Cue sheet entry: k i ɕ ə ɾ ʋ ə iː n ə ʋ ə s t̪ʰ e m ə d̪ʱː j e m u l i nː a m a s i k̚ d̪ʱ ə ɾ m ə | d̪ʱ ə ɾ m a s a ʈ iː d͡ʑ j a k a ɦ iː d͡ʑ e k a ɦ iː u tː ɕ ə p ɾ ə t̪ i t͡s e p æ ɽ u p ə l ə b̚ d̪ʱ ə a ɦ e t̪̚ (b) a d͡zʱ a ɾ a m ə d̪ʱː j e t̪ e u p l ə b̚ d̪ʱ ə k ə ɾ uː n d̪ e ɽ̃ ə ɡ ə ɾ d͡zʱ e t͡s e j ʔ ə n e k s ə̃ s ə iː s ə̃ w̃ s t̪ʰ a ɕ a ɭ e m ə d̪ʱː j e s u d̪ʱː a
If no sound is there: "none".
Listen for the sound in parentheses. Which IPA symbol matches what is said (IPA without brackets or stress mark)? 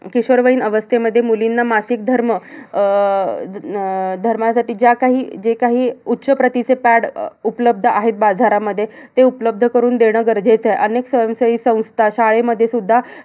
b